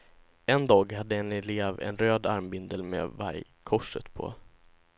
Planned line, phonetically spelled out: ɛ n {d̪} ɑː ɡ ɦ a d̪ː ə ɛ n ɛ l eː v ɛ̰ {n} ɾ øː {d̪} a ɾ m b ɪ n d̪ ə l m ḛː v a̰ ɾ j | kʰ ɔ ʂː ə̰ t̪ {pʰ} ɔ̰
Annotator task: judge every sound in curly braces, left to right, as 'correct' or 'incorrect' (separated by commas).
correct, correct, correct, correct